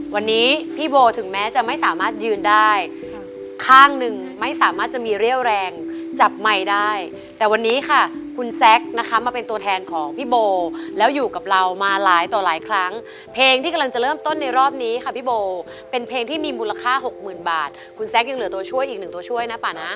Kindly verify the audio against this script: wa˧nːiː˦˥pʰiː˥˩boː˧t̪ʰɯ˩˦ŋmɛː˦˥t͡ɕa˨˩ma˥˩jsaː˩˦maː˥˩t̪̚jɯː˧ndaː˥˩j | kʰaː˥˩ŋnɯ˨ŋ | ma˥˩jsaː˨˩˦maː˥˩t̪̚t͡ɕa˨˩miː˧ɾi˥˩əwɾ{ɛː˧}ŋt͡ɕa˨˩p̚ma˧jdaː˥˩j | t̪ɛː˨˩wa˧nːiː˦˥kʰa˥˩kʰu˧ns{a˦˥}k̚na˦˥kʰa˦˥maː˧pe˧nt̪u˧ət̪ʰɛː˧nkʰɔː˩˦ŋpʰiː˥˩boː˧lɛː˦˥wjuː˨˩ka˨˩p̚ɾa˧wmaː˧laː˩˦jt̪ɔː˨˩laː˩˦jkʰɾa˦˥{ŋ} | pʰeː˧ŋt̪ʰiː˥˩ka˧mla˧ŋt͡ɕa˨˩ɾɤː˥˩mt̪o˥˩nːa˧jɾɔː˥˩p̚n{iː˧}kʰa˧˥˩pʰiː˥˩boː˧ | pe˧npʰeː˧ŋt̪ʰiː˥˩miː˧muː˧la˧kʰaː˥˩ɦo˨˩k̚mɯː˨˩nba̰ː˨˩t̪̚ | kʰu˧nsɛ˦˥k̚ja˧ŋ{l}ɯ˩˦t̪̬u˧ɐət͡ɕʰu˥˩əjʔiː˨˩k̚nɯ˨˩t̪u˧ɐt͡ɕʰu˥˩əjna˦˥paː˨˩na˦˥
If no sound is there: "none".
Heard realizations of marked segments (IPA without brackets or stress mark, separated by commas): ɛː˧, ɛ˦˥, ŋ, iː˦˥, l